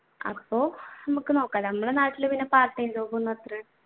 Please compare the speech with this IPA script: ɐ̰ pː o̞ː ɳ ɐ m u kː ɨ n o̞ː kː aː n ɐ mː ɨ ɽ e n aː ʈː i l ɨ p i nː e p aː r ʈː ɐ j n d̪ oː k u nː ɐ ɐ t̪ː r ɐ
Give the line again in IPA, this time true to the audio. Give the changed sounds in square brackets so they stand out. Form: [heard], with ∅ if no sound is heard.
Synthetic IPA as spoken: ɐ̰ pː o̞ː [n] ɐ m u kː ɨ n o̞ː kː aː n ɐ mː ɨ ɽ e n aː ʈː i l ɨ p i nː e p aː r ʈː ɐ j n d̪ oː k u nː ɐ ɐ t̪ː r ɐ